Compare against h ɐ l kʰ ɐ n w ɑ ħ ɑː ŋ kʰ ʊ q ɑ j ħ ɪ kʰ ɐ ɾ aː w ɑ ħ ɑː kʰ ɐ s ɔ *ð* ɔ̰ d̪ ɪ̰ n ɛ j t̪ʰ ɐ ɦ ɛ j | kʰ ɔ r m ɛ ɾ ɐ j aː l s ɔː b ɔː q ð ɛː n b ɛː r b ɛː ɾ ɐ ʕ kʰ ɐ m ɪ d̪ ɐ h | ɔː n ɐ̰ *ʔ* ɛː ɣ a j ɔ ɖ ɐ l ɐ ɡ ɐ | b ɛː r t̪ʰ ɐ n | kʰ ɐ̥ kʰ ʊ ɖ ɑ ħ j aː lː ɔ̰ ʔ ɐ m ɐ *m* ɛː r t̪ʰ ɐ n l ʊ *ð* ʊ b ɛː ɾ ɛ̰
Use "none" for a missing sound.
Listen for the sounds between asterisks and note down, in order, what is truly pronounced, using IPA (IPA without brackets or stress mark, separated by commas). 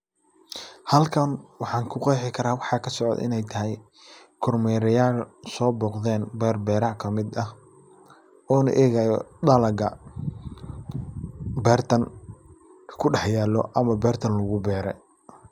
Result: ʕ, ʔ, b, ɣ